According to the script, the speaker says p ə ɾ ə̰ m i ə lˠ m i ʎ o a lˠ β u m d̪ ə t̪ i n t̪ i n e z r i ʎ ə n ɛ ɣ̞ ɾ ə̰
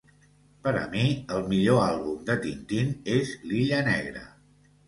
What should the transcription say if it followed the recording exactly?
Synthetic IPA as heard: p ə ɾ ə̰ m i ə lˠ m i ʎ o a lˠ β u m d̪ ə t̪ i n t̪ i n e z l i ʎ ə n ɛ ɣ̞ ɾ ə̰